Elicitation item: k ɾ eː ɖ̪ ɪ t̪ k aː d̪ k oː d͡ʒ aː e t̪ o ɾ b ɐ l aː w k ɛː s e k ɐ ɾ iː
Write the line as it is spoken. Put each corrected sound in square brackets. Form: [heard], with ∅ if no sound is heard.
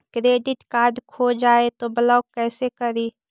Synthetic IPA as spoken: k ɾ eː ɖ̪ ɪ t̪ k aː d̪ [kʰ] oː d͡ʒ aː e t̪ o [∅] b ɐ l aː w k ɛː s e k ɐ ɾ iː